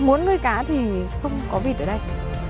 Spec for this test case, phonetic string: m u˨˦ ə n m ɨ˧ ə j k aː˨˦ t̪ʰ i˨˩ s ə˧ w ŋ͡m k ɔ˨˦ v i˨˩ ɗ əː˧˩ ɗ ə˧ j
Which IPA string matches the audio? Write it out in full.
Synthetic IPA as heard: m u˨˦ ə n ŋ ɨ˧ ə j k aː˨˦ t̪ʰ i˨˩ x ə˧ w ŋ͡m k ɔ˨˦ v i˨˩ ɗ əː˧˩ ɗ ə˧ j